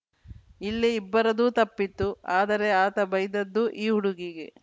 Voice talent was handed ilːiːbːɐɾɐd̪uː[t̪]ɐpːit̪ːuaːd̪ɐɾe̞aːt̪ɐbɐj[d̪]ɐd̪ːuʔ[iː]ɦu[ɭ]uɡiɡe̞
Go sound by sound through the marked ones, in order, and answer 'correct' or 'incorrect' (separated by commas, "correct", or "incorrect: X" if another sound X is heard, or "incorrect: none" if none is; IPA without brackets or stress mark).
correct, correct, correct, incorrect: ɽ